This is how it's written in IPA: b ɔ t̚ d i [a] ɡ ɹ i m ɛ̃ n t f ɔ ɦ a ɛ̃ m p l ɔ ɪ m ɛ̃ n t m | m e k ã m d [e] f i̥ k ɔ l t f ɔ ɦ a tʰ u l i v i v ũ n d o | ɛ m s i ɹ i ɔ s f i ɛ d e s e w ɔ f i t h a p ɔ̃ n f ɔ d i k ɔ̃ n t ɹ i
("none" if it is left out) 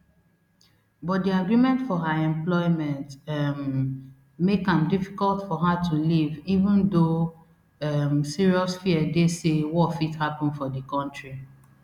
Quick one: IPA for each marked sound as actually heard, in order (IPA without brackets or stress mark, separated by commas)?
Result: a, i